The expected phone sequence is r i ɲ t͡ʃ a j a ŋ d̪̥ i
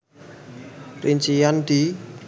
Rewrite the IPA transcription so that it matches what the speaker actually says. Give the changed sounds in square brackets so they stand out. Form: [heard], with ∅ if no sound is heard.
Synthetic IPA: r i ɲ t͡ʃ [i] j a [n] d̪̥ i